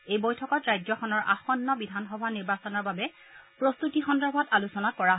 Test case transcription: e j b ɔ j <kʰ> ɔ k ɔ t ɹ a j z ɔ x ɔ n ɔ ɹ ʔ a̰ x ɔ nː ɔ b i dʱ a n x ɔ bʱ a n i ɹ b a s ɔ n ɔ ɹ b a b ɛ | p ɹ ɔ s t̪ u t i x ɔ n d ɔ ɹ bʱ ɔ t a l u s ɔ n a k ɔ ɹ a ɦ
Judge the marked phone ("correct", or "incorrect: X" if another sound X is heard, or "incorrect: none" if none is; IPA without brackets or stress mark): incorrect: tʰ